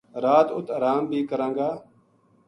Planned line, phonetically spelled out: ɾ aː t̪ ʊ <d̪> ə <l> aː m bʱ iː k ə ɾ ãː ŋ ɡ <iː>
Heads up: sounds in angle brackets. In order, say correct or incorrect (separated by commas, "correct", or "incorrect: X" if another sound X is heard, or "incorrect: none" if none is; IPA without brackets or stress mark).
incorrect: t̪, incorrect: ɾ, incorrect: aː